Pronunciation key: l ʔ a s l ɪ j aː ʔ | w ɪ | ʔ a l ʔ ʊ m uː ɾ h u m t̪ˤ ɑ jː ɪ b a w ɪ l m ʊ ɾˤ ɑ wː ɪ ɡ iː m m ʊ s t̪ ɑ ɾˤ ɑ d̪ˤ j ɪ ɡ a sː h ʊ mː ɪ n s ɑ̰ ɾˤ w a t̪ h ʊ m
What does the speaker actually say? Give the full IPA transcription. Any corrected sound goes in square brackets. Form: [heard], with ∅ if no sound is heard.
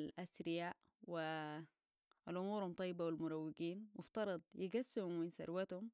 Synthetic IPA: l ʔ a s [ɾ] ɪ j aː ʔ | w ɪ | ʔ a l ʔ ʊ m uː ɾ h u m t̪ˤ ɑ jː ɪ b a w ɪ l m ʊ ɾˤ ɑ wː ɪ ɡ iː [n] m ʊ [f] t̪ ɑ ɾˤ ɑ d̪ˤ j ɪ ɡ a sː h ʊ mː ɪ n s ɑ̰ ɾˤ w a t̪ h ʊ m

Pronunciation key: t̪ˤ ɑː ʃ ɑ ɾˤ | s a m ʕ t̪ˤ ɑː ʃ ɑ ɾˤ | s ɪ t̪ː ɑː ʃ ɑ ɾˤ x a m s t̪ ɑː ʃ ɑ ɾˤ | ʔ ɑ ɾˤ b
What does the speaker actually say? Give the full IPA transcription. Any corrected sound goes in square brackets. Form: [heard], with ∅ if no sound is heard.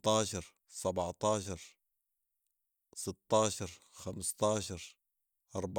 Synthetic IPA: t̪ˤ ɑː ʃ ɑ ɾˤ | s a [b] ʕ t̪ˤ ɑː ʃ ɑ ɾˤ | s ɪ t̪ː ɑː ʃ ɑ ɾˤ x a m s t̪ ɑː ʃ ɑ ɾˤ | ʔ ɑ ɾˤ b

